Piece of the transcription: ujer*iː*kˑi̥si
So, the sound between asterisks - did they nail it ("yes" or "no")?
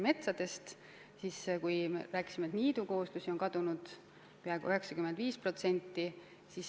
no